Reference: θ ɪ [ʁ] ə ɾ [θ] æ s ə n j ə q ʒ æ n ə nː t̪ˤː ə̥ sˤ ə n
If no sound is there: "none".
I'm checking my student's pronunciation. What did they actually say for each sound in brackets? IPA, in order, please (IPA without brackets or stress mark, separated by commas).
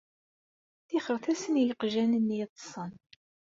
χ, θ